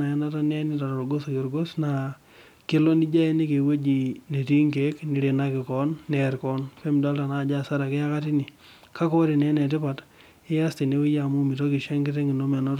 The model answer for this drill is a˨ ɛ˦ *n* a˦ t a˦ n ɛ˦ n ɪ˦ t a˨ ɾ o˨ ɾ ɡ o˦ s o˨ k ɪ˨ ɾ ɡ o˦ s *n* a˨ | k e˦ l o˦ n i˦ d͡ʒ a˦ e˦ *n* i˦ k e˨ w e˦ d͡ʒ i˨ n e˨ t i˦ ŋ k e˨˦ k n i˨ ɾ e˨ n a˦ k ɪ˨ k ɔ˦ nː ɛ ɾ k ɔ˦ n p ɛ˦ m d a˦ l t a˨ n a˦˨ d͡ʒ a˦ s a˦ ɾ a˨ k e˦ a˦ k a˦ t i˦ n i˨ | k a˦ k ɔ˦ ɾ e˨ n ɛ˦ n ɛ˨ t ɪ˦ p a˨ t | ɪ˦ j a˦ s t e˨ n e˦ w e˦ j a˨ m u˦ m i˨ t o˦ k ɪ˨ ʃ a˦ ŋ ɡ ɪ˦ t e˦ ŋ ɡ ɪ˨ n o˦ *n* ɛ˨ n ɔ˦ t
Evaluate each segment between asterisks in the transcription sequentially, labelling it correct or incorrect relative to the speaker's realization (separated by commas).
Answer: correct, correct, correct, incorrect